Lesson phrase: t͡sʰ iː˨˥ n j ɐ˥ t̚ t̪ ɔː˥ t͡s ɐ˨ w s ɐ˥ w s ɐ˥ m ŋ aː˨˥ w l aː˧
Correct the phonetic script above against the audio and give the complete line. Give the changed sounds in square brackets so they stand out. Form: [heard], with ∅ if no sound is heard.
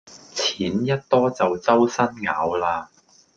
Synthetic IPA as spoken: t͡sʰ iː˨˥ n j ɐ˥ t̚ t̪ ɔː˥ t͡s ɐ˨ w [t͡s] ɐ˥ w s ɐ˥ [n] ŋ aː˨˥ w l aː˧

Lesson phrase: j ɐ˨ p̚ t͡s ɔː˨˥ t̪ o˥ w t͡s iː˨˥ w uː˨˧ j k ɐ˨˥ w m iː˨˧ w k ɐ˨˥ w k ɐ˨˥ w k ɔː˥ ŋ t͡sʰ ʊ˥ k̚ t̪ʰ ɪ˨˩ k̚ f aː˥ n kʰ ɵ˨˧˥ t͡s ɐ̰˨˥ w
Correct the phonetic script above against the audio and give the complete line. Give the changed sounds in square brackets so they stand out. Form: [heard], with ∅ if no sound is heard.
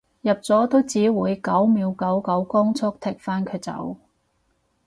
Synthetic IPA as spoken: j ɐ˨ p̚ t͡s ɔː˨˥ t̪ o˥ w t͡s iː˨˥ w uː˨˧ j k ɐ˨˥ w m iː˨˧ w k ɐ˨˥ w k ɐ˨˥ w k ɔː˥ ŋ t͡sʰ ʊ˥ k̚ t̪ʰ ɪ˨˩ k̚ f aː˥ n kʰ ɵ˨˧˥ t͡s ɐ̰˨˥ w

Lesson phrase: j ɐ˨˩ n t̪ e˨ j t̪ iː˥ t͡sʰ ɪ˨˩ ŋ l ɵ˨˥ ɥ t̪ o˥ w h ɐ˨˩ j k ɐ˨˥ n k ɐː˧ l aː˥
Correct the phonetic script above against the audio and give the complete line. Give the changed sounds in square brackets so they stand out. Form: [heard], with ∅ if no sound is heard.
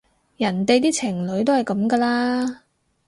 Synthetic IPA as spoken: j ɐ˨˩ n t̪ e˨ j t̪ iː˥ t͡sʰ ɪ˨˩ ŋ l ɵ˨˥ ɥ t̪ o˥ w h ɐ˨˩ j k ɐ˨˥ [m] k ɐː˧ l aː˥

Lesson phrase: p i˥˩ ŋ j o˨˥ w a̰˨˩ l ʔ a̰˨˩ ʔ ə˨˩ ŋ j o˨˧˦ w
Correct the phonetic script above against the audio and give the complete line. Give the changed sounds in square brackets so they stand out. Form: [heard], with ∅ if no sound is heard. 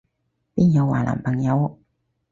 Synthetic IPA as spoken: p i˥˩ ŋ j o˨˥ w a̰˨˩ l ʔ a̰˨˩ [p] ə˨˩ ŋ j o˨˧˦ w

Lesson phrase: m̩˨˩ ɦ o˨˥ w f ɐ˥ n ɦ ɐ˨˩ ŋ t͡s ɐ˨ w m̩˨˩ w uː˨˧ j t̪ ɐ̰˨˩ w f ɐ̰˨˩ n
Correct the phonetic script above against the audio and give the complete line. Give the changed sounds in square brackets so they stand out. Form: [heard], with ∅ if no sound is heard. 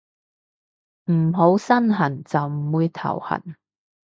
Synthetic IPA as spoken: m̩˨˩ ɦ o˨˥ w [s] ɐ˥ n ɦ ɐ˨˩ [n] t͡s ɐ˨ w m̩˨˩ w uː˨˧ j [t̪ʰ] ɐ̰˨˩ w [h] ɐ̰˨˩ n

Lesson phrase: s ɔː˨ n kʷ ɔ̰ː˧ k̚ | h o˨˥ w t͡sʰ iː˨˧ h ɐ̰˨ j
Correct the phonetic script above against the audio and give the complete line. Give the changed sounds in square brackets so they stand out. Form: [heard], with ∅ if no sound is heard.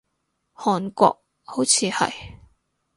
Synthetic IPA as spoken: [h] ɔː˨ n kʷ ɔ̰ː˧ k̚ | h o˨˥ w t͡sʰ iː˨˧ h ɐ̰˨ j

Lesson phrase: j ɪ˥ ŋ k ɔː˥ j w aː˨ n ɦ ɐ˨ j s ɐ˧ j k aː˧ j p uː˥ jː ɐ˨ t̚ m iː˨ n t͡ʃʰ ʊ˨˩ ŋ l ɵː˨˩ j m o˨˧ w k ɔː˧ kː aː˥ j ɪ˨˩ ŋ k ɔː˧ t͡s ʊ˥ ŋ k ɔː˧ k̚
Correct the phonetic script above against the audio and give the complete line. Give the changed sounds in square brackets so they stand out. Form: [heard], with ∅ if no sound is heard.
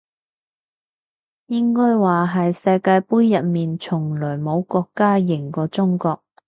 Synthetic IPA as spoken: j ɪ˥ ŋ k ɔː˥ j w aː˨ [∅] ɦ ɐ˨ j s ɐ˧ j k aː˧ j p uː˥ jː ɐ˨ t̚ m iː˨ n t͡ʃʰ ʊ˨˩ ŋ l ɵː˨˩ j m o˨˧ w k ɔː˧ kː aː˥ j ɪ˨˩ ŋ k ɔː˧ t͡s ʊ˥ ŋ k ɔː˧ k̚

